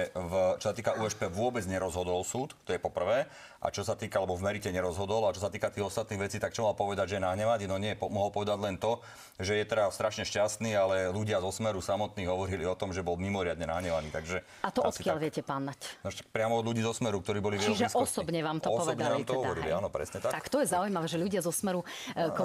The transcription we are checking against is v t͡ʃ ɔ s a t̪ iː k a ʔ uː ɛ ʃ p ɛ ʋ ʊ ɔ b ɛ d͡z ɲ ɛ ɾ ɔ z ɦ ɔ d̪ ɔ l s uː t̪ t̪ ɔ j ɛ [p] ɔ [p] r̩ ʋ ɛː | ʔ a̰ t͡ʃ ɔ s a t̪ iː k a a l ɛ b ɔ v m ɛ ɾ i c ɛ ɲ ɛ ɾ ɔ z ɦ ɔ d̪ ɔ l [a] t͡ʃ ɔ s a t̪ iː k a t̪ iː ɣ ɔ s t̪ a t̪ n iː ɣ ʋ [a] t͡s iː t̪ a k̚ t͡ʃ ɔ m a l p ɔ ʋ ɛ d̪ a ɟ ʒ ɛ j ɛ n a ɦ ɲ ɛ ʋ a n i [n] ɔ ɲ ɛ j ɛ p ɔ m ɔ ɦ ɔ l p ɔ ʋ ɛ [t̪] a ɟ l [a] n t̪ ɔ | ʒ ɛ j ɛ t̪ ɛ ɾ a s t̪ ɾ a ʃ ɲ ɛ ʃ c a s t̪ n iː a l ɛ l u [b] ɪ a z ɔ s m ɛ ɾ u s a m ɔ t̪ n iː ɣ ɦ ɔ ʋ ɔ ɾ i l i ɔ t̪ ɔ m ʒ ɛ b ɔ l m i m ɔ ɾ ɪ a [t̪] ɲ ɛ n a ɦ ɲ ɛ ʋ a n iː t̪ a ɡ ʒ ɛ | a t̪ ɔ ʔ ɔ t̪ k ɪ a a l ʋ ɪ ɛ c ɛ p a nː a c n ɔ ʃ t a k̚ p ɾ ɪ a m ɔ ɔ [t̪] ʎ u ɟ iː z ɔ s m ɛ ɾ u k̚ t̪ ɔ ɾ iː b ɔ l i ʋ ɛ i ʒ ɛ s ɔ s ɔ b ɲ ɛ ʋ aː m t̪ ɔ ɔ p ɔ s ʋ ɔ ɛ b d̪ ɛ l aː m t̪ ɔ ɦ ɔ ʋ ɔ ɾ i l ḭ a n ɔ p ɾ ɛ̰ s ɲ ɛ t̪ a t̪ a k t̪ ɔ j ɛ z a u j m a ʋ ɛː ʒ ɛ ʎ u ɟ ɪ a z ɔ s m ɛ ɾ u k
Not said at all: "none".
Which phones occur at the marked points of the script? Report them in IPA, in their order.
p, p, a, ɛ, n, d̪, ɛ, ɟ, d̪, d̪

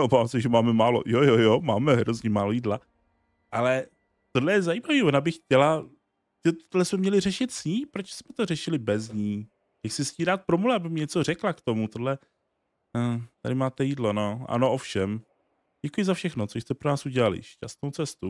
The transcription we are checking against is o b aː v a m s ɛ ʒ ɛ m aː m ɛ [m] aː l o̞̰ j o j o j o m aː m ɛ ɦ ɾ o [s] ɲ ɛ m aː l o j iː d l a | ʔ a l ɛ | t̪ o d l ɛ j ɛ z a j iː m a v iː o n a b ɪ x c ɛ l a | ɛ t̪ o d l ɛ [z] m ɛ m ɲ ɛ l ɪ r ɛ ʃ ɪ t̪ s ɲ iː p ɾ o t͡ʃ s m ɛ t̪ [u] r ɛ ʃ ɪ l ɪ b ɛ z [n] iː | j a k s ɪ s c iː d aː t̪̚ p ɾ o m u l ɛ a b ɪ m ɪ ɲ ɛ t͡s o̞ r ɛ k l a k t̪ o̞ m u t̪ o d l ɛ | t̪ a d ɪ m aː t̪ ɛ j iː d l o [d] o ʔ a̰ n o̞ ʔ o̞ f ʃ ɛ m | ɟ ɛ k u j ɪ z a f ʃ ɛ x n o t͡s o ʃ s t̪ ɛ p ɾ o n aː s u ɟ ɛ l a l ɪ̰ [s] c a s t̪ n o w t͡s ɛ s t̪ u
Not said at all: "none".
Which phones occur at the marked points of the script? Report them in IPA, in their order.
m, z, s, o, ɲ, n, ʃ

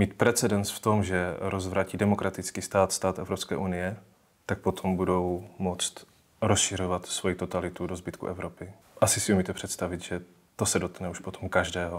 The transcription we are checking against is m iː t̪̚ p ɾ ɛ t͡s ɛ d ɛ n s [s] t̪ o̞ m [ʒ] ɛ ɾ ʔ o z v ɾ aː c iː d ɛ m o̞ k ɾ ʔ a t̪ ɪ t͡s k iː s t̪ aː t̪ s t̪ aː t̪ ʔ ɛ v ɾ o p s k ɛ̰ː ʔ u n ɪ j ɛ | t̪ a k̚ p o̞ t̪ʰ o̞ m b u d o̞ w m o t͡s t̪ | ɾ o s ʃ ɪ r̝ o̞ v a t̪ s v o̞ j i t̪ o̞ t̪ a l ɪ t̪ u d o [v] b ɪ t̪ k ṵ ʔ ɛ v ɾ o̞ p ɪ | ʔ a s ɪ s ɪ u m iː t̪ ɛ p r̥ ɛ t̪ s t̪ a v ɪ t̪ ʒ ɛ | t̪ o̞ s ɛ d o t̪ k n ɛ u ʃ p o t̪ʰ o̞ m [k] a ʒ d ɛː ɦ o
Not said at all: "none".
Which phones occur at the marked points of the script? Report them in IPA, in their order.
f, ʒ, z, k

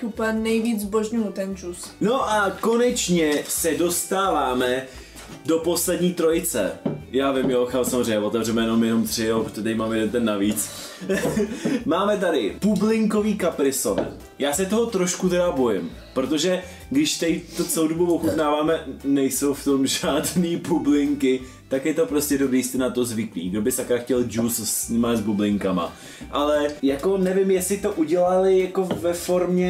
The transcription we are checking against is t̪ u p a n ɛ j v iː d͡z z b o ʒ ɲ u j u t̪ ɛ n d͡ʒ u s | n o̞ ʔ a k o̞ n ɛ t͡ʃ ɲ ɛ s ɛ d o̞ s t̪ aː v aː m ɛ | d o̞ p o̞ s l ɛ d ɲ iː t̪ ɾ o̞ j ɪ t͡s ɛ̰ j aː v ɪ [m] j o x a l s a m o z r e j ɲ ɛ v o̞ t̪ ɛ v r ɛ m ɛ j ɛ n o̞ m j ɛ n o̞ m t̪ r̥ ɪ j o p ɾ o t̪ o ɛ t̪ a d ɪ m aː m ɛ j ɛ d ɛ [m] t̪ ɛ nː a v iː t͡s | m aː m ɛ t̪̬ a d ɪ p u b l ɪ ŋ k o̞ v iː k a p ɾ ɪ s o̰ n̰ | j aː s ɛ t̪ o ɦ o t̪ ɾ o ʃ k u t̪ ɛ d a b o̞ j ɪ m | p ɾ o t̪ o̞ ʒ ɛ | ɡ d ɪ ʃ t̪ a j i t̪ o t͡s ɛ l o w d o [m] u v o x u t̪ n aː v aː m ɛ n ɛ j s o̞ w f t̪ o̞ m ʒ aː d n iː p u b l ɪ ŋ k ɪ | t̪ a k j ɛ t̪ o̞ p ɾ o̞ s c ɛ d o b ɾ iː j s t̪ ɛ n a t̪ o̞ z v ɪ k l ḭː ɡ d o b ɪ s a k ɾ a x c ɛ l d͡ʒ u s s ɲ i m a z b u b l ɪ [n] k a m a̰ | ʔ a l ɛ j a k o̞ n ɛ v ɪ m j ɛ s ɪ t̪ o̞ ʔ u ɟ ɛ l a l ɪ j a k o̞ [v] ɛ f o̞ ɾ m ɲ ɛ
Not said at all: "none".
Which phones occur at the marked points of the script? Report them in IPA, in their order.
m, n, b, ŋ, v

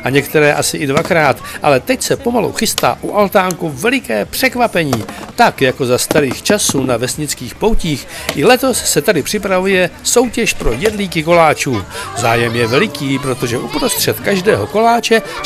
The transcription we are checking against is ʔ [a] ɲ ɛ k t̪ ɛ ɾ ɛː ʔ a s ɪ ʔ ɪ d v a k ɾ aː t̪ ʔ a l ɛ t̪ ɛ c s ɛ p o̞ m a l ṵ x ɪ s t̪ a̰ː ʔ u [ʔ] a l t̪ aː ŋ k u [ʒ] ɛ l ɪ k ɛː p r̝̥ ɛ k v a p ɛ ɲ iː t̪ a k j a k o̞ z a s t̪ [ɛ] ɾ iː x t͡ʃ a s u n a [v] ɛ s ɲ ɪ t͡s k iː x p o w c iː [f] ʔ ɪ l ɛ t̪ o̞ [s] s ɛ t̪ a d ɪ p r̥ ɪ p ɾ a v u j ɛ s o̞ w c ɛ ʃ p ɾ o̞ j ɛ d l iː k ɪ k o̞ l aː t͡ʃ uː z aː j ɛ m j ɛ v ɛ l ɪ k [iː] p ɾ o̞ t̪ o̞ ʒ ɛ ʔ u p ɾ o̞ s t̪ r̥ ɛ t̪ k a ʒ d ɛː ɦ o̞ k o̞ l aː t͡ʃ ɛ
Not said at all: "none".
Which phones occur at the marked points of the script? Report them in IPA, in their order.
a, ʔ, v, a, v, x, s, iː

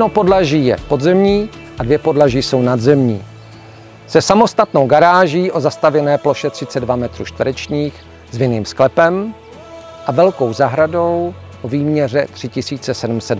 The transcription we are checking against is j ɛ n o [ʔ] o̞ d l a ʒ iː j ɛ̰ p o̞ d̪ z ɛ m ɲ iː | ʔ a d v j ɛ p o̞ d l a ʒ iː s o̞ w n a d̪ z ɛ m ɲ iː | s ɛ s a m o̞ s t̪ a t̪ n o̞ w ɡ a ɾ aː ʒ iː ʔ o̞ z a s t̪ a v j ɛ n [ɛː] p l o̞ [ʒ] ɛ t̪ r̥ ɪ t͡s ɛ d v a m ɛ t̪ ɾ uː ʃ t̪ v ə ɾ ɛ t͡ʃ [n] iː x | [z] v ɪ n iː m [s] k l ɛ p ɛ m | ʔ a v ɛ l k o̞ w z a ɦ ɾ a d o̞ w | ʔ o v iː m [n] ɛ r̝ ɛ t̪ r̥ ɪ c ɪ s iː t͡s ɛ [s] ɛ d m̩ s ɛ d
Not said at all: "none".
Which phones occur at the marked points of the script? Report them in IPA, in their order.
p, ɛː, ʃ, ɲ, z, s, ɲ, s

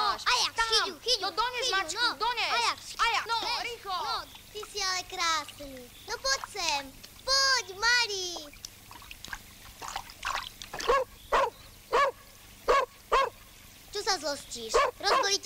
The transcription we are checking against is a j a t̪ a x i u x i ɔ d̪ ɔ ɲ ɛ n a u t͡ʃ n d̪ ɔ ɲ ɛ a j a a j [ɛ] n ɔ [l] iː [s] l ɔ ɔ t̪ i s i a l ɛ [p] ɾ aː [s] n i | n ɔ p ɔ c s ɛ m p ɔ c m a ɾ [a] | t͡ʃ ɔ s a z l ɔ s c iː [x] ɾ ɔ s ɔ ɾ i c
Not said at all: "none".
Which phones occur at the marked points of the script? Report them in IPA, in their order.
a, ɾ, x, k, s, i, ʃ

